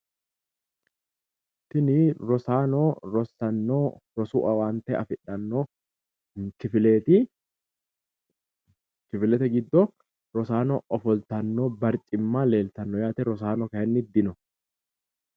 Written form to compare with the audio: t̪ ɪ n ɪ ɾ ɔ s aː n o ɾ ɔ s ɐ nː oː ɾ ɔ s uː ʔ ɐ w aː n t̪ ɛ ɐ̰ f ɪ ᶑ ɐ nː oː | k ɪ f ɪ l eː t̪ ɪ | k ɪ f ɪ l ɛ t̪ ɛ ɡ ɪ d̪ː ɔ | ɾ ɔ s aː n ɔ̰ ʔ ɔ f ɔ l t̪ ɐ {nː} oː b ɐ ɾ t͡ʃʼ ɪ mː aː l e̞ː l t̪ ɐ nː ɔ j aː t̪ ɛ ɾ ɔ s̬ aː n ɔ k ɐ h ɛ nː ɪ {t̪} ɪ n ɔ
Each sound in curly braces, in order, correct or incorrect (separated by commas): correct, incorrect